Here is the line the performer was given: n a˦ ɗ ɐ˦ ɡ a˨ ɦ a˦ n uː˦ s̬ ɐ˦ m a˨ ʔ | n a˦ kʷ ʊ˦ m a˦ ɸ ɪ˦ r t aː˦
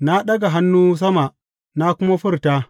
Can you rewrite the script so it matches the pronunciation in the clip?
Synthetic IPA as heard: n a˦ ɗ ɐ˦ ɡ a˨ ɦ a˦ nː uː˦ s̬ ɐ˦ m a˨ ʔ | n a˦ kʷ ʊ˦ m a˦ ɸ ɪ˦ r t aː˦